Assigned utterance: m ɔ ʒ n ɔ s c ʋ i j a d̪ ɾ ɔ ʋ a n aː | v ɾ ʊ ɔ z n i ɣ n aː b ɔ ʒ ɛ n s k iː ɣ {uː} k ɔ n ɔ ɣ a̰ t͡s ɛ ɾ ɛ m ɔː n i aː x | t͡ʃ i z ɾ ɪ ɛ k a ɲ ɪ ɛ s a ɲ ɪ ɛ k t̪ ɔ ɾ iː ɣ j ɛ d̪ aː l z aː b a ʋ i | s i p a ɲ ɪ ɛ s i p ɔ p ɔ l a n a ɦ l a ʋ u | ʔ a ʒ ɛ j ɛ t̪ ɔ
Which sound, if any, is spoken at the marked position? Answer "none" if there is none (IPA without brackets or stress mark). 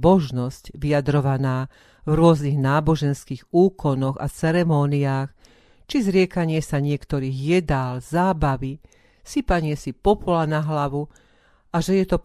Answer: uː